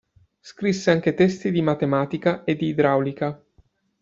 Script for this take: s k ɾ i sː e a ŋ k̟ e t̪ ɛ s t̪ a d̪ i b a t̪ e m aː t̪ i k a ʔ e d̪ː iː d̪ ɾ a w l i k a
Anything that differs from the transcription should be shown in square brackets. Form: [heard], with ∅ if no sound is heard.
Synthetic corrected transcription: s k ɾ i sː e a ŋ k̟ e t̪ ɛ s t̪ [i] d̪ i [m] a t̪ e m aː t̪ i k a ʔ e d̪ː iː d̪ ɾ a w l i k a

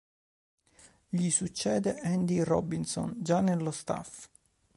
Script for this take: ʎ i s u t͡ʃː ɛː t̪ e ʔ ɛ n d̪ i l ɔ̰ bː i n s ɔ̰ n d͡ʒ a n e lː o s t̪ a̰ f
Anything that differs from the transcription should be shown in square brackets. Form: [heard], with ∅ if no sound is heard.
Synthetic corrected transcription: ʎ i s u t͡ʃː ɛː [d̪] e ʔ ɛ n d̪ i [r] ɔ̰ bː i n s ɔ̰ n d͡ʒ a n e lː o s t̪ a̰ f

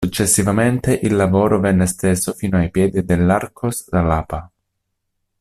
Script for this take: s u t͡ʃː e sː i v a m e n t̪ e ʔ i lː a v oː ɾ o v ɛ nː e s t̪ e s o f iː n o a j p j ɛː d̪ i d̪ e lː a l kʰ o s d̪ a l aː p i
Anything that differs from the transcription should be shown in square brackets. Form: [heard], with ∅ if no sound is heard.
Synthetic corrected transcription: s u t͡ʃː e sː i v a m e n t̪ e ʔ i lː a v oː ɾ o v ɛ nː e s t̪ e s o f iː n o a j p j ɛː d̪ i d̪ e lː a [r] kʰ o s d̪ a l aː p [a]

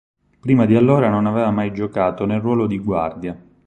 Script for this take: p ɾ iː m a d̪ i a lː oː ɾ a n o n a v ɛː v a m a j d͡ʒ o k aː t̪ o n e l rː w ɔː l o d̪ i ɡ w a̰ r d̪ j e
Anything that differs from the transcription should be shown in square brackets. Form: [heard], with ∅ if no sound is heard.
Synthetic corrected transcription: p ɾ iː m a d̪ i a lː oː ɾ a n o n a v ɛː v a m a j d͡ʒ o k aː t̪ o n e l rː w ɔː l o d̪ i ɡ w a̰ r d̪ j [a]

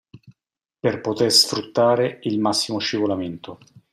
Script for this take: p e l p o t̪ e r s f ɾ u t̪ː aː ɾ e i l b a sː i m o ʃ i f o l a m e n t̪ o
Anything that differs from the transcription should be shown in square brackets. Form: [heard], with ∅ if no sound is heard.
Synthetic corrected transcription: p e [r] p o t̪ e r s f ɾ u t̪ː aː ɾ e i l [m] a sː i m o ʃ i [v] o l a m e n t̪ o

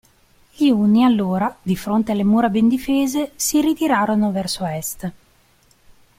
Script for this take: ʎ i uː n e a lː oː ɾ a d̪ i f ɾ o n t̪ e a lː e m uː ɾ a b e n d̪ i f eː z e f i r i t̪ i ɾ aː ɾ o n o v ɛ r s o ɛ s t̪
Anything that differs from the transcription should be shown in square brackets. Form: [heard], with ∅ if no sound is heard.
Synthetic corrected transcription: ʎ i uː n [i] a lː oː ɾ a d̪ i f ɾ o n t̪ e a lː e m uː ɾ a b e n d̪ i f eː z e [s] i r i t̪ i ɾ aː ɾ o n o v ɛ r s o ɛ s t̪

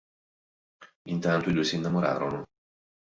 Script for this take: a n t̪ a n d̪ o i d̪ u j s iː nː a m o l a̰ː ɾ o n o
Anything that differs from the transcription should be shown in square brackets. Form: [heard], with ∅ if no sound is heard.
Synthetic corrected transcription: [i] n t̪ a n [t̪] o i d̪ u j s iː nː a m o [ɾ] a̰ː ɾ o n o

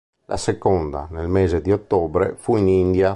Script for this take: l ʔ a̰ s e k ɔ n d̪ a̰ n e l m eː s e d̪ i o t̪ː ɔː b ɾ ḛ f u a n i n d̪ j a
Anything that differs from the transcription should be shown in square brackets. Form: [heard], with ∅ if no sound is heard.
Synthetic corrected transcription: l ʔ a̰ s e k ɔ n d̪ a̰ n e l m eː [z] e d̪ i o t̪ː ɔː b ɾ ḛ f u [i] n i n d̪ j a

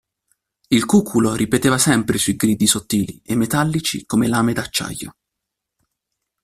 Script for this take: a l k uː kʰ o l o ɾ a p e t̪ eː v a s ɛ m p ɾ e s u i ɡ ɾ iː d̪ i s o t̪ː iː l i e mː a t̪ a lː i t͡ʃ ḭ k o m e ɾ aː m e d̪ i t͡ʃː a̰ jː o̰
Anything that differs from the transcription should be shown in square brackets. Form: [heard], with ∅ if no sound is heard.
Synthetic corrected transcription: [i] l k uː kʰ [u] l o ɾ [i] p e t̪ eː v a s ɛ m p ɾ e s u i ɡ ɾ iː d̪ i s o t̪ː iː l i e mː [e] t̪ a lː i t͡ʃ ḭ k o m e [l] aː m e d̪ [a] t͡ʃː a̰ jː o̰

